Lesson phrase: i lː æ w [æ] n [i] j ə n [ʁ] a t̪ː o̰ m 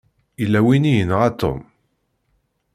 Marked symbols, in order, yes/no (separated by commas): no, yes, yes